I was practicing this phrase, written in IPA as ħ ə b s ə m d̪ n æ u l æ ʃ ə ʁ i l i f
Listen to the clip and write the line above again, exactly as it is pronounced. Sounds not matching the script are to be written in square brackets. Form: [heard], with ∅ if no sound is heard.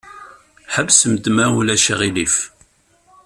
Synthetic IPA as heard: ħ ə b s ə m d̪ [m] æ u l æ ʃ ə ʁ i l i f